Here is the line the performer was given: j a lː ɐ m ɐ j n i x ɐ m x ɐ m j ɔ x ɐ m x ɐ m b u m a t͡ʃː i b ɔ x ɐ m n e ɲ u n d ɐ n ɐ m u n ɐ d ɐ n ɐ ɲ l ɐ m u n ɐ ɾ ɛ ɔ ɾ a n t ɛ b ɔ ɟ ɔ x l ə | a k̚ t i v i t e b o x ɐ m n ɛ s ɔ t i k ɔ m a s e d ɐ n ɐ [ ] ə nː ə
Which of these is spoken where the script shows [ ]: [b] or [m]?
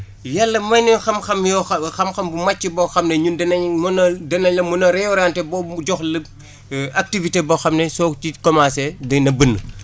b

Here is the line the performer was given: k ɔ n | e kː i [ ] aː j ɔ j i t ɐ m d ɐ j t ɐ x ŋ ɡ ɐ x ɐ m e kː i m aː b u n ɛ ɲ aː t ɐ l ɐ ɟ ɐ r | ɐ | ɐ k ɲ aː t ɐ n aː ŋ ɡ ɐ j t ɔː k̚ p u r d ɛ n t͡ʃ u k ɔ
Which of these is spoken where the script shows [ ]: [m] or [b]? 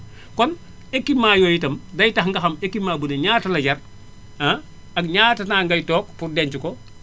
m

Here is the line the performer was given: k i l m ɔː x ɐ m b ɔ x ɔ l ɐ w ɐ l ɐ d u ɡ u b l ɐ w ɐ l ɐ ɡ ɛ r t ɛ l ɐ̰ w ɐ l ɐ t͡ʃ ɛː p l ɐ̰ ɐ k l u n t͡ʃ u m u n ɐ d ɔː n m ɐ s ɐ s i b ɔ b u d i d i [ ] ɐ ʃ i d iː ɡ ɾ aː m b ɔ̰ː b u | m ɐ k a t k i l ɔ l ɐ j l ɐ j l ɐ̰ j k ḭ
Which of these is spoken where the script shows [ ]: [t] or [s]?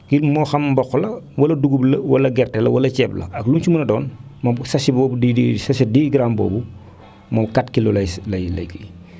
s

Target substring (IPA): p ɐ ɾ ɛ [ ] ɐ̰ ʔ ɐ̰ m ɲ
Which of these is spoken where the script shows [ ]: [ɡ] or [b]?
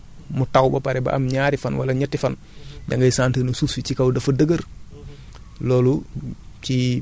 b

